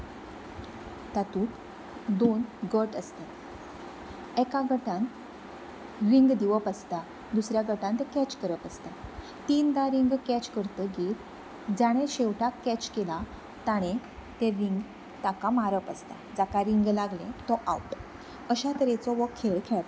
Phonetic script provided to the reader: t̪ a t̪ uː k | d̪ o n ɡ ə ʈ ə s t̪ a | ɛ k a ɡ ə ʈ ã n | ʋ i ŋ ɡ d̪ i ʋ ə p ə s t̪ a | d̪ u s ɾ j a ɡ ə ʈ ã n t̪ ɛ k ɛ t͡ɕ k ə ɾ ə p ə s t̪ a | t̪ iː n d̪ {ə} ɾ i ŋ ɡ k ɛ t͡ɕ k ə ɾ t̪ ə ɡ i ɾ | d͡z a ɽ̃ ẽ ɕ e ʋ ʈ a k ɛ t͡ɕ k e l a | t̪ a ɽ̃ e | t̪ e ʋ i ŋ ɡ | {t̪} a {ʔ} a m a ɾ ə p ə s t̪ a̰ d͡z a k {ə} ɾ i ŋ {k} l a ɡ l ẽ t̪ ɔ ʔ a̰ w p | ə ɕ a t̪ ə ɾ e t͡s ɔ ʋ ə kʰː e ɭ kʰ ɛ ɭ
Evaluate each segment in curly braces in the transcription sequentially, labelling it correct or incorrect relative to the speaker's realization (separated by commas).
incorrect, correct, incorrect, incorrect, incorrect